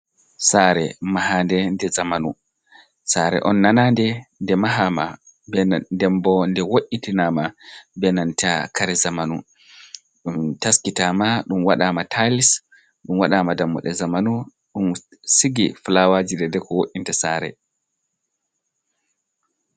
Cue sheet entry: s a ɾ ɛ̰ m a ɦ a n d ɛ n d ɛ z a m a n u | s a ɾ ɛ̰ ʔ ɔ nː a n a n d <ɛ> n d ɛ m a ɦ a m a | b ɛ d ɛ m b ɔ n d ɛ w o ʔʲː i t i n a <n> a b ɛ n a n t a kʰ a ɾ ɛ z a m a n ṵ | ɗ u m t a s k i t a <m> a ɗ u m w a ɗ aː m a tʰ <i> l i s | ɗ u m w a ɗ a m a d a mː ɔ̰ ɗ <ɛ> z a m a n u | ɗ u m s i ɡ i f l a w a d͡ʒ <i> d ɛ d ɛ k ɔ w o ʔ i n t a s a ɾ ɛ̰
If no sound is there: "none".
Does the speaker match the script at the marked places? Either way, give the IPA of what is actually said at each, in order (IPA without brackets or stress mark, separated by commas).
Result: ɛ, m, m, a, ɛ, i